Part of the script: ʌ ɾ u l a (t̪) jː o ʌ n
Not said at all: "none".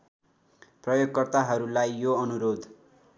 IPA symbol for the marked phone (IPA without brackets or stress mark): none